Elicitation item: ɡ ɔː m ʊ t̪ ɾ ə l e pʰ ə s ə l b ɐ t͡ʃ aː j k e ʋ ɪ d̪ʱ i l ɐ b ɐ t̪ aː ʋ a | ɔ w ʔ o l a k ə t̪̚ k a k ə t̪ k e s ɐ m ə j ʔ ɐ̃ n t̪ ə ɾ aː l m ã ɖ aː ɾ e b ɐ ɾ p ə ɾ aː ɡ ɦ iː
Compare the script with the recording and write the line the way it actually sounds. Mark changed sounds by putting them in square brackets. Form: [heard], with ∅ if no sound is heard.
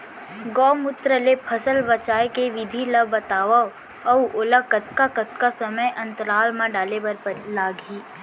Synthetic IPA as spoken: ɡ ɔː m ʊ t̪ ɾ ə l e pʰ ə s ə l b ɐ t͡ʃ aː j k e ʋ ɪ d̪ʱ i l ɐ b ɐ t̪ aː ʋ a | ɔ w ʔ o l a k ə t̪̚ k a k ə t̪ k [a] s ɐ m ə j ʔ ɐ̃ n t̪ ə ɾ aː l m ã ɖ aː [l] e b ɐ ɾ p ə [l] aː ɡ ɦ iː

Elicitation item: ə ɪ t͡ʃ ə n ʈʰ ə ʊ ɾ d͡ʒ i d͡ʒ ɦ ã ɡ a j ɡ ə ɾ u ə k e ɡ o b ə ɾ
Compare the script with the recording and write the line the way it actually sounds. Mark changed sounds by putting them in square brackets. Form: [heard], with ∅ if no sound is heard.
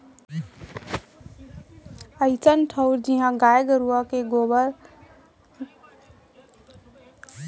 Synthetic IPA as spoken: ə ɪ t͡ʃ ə n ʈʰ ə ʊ ɾ d͡ʒ i [∅] ɦ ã ɡ a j ɡ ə ɾ u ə k e ɡ o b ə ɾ

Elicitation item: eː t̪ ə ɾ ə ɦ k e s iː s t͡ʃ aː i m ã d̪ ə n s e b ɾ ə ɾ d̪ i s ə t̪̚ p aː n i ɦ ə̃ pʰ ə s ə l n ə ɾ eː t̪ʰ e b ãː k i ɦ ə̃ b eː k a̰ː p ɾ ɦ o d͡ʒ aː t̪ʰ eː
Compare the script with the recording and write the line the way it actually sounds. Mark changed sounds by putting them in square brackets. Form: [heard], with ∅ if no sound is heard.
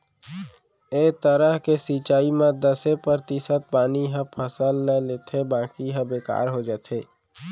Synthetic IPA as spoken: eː t̪ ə ɾ ə ɦ k e s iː [∅] t͡ʃ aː i m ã d̪ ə [∅] s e [p] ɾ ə ɾ [t̪] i s ə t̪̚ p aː n i ɦ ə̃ pʰ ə s ə l n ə [l] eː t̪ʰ e b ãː k i ɦ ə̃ b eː k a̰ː [∅] ɾ ɦ o d͡ʒ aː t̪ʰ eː

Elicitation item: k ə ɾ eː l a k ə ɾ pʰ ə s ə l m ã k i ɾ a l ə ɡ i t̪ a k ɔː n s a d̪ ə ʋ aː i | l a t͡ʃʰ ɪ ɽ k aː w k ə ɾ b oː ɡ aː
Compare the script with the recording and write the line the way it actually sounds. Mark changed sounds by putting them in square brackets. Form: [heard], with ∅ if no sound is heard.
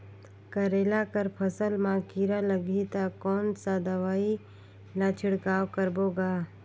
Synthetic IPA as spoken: k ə ɾ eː l a k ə ɾ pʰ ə s ə l m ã k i ɾ a l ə ɡ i t̪ a k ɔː n s a d̪ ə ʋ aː i | l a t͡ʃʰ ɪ ɽ k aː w k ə ɾ b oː ɡ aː

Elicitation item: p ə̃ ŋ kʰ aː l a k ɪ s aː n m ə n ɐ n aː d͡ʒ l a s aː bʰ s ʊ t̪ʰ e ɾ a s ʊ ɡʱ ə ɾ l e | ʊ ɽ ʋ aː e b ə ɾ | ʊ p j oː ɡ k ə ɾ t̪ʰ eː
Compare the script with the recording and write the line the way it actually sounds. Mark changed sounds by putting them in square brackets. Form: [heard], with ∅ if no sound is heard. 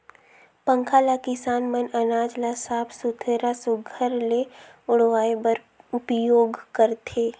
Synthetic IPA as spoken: p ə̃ ŋ kʰ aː l a k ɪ s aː n m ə n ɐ n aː d͡ʒ l a s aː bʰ s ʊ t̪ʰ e ɾ a s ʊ ɡʱ ə ɾ l e | ʊ ɽ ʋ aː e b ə ɾ | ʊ p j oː ɡ k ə ɾ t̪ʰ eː

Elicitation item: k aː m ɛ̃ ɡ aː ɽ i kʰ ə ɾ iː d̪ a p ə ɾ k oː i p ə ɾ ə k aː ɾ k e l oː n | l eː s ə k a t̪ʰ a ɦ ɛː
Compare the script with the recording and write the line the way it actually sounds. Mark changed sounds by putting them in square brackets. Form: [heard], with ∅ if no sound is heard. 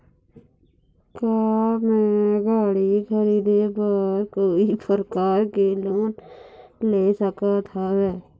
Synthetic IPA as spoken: k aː m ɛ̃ ɡ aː ɽ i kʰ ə ɾ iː d̪ [e] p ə ɾ k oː i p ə ɾ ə k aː ɾ k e l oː n | l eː s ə k a t̪ʰ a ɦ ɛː

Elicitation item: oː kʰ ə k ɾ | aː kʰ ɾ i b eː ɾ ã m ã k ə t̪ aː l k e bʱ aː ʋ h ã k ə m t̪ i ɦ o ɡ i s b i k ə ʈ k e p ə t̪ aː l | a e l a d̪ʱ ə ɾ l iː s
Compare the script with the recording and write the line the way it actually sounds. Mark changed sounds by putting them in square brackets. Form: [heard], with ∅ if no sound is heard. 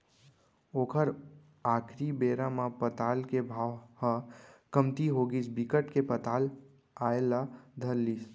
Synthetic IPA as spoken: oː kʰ ə [∅] ɾ | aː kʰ ɾ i b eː ɾ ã m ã [p] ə t̪ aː l k e bʱ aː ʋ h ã k ə m t̪ i ɦ o ɡ i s b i k ə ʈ k e p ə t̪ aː l | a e l a d̪ʱ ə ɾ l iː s

